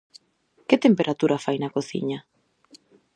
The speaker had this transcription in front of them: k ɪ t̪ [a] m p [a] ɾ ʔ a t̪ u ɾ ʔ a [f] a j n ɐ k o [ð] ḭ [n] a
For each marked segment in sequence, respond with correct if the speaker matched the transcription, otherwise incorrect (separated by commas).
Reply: incorrect, incorrect, correct, incorrect, incorrect